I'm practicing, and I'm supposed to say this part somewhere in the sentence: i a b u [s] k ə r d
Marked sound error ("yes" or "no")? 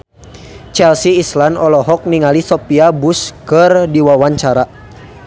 no